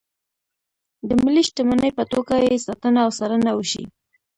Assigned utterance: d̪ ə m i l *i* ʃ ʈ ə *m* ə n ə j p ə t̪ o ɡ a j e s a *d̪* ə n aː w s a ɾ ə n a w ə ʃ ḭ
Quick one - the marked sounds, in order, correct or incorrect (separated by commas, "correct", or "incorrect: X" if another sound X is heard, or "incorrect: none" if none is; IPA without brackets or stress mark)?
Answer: correct, correct, incorrect: t̪